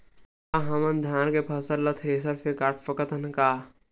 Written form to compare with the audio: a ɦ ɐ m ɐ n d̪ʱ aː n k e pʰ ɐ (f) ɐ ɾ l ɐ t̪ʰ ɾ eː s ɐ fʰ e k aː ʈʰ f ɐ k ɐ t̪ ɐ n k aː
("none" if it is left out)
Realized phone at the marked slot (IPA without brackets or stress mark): s